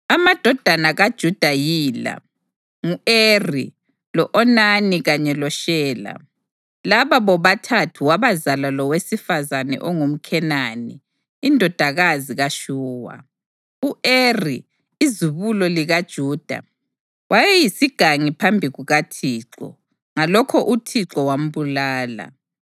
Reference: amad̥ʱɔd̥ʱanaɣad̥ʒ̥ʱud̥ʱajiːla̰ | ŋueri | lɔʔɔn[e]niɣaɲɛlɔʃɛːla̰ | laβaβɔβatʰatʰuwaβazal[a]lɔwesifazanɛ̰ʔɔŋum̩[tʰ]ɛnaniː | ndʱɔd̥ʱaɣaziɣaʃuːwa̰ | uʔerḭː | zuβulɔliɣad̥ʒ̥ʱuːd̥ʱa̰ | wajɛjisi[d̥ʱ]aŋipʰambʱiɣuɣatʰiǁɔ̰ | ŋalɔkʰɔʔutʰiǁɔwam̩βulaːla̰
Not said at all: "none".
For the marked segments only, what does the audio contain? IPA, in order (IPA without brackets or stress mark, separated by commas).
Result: a, a, kʰ, ɡ̥ʱ